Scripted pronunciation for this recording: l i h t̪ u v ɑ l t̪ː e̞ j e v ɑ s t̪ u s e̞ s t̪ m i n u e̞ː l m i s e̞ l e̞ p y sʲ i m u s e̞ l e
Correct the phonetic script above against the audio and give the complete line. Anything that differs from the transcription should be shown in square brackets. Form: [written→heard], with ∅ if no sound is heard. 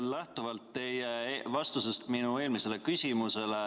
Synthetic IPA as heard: l [i→æ] h t̪ u v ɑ l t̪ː e̞ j e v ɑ s t̪ u s e̞ s t̪ m i n u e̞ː l m i s e̞ l e̞ [p→k] y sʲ i m u s e̞ l e